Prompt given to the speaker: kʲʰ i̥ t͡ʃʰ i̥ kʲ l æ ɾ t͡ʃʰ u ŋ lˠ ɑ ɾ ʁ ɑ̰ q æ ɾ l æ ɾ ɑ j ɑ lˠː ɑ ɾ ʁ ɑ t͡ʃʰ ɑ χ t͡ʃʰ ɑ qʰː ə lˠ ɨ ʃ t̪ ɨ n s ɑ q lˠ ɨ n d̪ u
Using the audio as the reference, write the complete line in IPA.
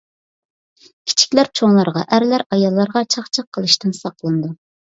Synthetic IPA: kʲʰ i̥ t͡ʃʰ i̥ kʲ l æ ɾ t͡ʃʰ o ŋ lˠ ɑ ɾ ʁ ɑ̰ ʔ æ ɾ l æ ɾ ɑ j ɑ lˠː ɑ ɾ ʁ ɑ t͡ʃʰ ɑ χ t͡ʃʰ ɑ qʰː ə lˠ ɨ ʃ t̪ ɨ n s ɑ q lˠ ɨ n d̪ u